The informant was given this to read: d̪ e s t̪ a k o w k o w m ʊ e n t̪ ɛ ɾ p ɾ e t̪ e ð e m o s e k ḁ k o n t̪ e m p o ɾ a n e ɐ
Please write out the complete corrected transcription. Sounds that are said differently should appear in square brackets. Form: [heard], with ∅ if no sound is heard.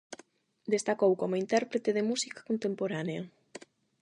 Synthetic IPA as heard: d̪ e s t̪ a k o w k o [∅] m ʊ [i] n t̪ ɛ ɾ p ɾ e t̪ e ð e m [u] s [i] k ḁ k o n t̪ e m p o ɾ a n e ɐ